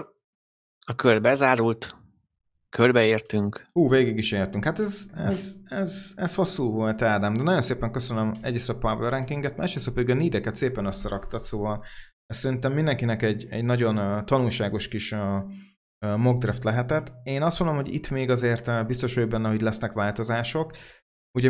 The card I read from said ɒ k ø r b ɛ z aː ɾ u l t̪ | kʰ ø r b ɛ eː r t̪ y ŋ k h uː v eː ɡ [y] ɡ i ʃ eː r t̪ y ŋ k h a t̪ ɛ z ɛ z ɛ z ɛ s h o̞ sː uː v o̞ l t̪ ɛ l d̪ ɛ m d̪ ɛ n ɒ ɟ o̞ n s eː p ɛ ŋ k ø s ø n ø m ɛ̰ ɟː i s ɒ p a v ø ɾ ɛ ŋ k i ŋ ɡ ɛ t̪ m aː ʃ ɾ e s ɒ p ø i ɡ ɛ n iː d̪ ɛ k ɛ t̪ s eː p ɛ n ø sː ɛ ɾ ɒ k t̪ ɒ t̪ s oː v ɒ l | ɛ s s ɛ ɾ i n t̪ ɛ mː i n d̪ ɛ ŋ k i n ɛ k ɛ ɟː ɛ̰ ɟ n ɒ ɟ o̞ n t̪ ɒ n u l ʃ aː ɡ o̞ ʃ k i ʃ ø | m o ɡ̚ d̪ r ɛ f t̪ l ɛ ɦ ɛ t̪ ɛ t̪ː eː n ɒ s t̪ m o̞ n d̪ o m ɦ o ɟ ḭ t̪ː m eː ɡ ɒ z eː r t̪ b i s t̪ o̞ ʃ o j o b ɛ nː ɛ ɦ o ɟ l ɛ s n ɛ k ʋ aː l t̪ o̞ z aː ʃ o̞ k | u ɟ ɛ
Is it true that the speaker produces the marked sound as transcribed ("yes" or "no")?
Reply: no